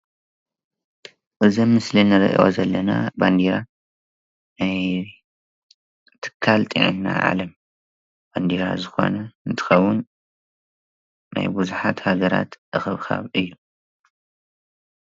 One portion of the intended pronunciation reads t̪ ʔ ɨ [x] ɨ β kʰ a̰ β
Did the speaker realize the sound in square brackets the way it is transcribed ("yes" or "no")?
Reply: yes